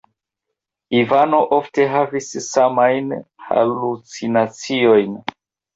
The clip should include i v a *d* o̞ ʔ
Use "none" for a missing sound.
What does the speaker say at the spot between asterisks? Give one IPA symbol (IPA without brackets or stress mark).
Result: n